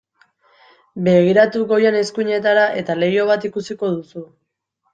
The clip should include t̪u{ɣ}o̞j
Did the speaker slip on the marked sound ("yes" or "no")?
no